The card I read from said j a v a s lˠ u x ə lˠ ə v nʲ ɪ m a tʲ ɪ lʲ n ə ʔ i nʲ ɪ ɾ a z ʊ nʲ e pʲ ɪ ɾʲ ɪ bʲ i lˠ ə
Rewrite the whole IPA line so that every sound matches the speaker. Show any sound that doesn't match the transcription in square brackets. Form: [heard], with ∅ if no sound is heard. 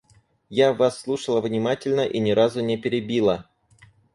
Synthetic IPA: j a v a [sː] lˠ u [ʂ] ə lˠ ə v nʲ ɪ m a tʲ ɪ lʲ n ə ʔ i nʲ ɪ ɾ a z ʊ nʲ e pʲ ɪ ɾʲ ɪ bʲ i lˠ ə